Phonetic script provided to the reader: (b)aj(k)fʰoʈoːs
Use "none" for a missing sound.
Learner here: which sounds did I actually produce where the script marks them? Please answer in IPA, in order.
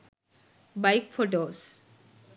b, k

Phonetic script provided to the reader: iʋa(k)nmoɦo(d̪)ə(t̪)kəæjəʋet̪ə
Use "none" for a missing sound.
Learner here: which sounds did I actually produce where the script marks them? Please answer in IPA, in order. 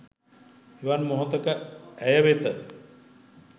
none, t̪, none

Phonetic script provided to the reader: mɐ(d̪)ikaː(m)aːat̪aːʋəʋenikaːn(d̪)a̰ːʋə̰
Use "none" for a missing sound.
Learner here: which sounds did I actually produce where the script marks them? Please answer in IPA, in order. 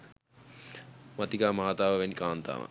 t̪, m, t̪

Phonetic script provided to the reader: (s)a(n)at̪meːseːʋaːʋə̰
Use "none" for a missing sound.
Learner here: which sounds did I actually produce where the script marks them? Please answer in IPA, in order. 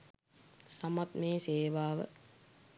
s, m

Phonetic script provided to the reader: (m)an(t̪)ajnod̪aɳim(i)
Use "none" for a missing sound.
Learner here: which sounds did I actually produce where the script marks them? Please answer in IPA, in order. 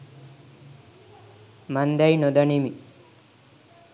m, d̪, i

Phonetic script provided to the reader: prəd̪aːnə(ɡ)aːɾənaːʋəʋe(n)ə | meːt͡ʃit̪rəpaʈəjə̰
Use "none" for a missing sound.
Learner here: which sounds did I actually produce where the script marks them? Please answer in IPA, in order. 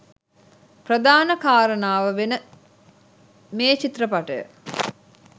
k, n

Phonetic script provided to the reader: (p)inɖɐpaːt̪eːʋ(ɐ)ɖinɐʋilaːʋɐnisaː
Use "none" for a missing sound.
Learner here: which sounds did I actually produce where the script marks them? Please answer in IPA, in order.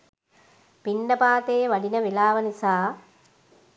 p, ɐ

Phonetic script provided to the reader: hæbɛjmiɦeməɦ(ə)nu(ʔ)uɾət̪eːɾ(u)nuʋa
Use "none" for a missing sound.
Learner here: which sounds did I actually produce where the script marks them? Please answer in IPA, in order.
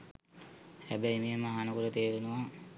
a, k, u

